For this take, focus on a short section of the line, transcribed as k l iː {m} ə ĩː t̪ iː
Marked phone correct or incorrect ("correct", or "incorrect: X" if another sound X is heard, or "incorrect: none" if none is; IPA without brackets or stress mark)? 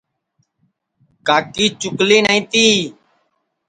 incorrect: n